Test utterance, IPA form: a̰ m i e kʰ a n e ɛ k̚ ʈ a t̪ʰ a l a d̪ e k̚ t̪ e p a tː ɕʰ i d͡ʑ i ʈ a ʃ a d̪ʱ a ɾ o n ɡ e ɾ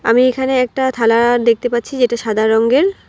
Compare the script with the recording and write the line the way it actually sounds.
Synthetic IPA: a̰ m i e kʰ a n e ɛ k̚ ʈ a t̪ʰ a l a d̪ e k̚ t̪ e p a tː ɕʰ i d͡ʑ e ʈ a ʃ a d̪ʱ a ɾ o ŋ ɡ e ɾ